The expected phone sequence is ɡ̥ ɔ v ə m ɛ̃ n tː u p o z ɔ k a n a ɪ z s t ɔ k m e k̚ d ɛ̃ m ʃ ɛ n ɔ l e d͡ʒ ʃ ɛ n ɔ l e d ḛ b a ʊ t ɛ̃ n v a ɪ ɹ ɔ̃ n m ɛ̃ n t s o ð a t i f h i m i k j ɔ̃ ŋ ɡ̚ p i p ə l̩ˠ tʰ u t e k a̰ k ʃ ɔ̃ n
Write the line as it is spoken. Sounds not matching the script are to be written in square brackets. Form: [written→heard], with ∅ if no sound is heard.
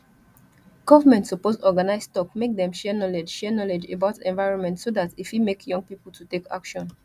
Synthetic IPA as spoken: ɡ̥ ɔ v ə m ɛ̃ n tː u p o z ɔ [k→ɡ] a n a ɪ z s t ɔ k m e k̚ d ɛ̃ m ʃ ɛ n ɔ l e d͡ʒ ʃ ɛ n ɔ l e [d→d͡ʒ] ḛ b a ʊ t ɛ̃ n v a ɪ ɹ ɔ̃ n m ɛ̃ n t s o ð a t i f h i m [i→e] k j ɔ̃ ŋ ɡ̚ p i p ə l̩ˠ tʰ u t e k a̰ k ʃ ɔ̃ n